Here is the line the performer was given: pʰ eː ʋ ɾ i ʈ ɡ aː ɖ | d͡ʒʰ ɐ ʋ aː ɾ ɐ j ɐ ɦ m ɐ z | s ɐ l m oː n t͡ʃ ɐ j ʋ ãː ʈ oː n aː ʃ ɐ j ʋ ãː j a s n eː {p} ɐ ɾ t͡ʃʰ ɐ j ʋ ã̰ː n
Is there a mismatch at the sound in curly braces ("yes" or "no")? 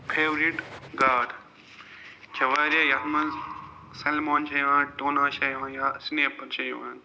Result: no